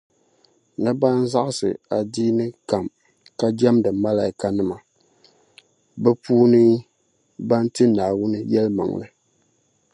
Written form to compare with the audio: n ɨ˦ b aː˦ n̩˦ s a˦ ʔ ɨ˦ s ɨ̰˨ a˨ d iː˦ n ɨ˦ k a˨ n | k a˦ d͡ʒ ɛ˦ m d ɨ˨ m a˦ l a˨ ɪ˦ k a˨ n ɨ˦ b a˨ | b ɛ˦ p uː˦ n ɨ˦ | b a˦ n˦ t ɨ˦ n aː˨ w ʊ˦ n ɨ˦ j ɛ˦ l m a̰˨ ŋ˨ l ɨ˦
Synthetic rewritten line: n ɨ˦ b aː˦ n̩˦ z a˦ ʔ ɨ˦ s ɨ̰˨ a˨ d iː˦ n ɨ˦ k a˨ m | k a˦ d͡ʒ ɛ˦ m d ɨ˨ m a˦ l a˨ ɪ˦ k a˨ n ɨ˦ m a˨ | b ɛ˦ p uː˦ n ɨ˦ | b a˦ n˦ t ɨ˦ n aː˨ w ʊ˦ n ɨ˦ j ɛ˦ l m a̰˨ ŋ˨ l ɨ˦